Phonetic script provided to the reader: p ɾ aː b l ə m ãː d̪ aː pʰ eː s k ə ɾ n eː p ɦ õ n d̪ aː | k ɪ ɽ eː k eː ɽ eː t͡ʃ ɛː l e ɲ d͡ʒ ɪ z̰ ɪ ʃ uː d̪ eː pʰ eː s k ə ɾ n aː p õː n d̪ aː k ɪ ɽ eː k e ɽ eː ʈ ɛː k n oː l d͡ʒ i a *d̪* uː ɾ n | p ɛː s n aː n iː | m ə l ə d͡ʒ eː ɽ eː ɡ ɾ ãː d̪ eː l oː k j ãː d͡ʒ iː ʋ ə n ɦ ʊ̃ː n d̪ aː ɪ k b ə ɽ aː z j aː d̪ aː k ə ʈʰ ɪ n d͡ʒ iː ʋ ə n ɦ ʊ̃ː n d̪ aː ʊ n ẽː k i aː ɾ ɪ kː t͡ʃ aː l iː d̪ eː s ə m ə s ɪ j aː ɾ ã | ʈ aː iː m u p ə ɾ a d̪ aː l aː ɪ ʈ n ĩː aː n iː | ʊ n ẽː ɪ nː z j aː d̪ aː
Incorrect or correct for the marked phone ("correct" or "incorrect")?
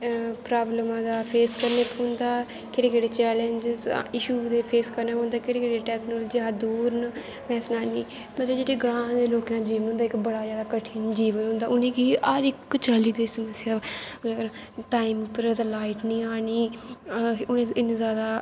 correct